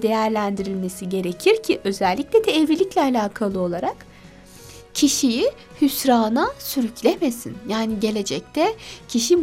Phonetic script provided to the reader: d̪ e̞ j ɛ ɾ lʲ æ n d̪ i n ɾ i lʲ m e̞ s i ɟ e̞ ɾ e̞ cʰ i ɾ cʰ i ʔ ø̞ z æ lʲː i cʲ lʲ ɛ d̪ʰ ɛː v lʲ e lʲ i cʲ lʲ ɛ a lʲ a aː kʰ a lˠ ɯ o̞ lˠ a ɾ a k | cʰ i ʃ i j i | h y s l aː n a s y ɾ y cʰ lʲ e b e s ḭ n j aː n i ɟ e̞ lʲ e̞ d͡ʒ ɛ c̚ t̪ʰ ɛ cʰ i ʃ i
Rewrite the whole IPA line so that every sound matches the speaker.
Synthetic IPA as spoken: d̪ e̞ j æ ɾ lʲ æ n d̪ i ɾ i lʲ m e̞ s i ɟ e̞ ɾ e̞ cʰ i ɾ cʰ i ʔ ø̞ z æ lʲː i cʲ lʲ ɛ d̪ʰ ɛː v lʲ i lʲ i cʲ lʲ ɛ a lʲ a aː kʰ a lˠ ɯ o̞ lˠ a ɾ a k | cʰ i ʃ i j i | h y s ɾ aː n a s y ɾ y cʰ lʲ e m e s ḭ n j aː n i ɟ e̞ lʲ e̞ d͡ʒ ɛ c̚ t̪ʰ ɛ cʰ i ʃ i